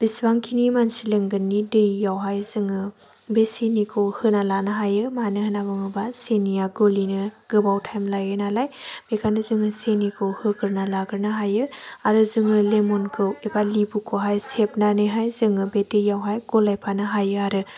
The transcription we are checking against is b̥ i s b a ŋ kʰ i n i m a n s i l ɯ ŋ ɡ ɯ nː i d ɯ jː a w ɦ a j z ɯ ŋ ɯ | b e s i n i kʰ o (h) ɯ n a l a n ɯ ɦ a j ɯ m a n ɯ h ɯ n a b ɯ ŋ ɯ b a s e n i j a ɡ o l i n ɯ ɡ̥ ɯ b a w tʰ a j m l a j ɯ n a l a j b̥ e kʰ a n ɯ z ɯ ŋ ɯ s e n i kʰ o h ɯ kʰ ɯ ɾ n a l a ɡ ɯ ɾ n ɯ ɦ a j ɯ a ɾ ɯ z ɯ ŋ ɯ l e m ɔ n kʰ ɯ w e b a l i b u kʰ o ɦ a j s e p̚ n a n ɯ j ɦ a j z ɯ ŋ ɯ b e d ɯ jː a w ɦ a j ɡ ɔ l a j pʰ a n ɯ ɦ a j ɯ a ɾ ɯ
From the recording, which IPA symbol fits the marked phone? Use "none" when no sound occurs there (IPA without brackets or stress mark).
h